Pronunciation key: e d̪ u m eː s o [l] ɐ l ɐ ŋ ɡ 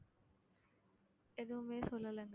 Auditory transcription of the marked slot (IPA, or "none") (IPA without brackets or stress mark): l